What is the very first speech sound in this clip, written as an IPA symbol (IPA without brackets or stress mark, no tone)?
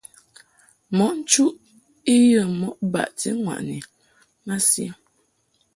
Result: m